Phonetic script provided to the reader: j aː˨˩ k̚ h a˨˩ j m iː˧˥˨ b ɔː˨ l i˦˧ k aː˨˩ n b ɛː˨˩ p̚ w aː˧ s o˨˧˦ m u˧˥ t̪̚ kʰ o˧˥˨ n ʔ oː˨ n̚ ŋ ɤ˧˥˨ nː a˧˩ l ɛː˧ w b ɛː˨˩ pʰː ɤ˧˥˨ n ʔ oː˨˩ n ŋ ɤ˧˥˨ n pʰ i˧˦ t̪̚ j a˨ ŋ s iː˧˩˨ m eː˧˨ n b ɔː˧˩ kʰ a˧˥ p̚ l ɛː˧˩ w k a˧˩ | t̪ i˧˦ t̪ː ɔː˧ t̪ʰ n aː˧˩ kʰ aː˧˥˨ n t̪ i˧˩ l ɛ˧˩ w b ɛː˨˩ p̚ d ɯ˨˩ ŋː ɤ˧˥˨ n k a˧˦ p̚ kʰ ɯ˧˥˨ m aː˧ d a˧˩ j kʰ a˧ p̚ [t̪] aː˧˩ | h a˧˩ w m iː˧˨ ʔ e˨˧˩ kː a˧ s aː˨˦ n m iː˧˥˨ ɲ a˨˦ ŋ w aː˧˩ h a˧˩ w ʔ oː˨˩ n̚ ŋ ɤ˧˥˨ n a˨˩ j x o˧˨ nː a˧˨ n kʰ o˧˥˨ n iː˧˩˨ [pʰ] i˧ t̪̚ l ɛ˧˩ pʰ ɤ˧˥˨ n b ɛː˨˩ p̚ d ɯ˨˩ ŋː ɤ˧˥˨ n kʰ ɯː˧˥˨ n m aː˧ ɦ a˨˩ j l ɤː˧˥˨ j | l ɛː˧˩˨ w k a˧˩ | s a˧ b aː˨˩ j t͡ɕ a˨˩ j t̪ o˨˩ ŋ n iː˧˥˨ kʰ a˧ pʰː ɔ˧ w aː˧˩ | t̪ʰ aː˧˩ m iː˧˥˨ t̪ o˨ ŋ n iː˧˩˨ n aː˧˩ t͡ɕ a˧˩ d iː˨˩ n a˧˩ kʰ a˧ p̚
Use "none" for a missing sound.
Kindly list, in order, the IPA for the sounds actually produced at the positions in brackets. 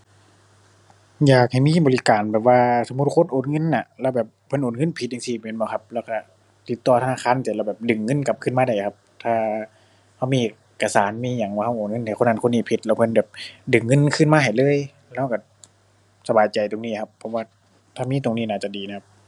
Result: t̪ʰ, pʰ

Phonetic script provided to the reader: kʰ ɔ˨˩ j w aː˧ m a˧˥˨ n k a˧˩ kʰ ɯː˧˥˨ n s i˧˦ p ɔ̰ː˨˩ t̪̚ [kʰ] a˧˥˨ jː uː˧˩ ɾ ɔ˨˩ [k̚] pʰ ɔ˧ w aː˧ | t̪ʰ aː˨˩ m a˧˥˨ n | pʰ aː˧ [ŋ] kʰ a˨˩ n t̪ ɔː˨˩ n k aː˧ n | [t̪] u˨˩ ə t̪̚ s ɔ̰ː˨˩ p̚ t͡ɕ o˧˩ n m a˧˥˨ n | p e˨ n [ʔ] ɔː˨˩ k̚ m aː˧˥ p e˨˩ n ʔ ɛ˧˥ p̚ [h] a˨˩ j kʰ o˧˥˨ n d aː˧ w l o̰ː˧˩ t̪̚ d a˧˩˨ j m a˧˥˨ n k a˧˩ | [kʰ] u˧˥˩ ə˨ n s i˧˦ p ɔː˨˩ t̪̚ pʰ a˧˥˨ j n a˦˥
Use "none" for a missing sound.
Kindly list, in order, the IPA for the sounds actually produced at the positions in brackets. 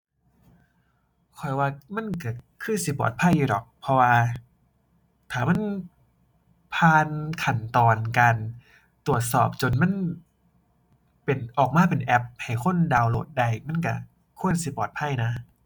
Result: pʰ, k̚, n, t̪, ʔ, h, kʰ

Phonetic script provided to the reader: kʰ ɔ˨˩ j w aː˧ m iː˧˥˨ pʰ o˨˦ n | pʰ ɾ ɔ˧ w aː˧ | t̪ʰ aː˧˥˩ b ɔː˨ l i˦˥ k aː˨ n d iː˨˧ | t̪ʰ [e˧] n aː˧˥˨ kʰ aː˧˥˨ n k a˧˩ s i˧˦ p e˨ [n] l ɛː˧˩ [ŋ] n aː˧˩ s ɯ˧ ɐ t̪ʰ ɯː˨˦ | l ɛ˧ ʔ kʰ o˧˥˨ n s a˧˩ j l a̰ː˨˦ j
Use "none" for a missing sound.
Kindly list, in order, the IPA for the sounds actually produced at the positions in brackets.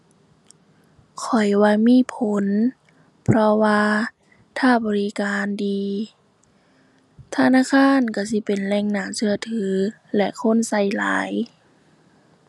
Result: a˧, n, ŋ

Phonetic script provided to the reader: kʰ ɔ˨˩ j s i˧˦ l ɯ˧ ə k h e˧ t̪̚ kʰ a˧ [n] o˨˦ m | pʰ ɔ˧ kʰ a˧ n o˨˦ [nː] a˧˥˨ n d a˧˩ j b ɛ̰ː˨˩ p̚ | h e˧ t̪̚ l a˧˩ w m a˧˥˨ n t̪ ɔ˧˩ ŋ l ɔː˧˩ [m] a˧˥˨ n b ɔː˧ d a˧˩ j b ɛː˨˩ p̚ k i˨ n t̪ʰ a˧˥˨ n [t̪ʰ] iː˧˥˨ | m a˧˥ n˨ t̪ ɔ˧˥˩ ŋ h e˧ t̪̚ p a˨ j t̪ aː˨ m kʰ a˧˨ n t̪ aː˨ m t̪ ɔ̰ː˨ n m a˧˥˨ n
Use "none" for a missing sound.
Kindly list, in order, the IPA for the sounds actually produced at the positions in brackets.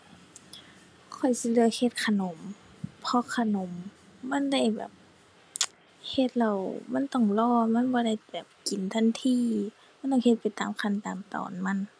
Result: n, mː, m, t̪ʰ

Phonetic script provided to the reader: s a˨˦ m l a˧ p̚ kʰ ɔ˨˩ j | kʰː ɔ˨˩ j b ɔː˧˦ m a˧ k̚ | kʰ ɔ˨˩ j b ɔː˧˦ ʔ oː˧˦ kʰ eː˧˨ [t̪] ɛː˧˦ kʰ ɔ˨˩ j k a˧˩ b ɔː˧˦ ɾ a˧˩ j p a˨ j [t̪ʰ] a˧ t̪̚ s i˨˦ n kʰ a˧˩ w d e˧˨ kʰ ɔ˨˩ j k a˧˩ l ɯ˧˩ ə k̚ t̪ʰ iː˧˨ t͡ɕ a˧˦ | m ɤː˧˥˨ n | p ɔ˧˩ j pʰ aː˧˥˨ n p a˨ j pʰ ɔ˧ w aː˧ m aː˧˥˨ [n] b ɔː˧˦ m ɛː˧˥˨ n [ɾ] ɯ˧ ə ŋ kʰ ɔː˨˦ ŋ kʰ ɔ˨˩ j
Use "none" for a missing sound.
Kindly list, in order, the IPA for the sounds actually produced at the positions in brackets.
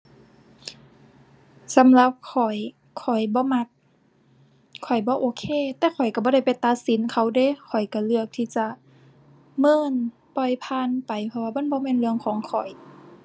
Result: t̪, t̪, n, l

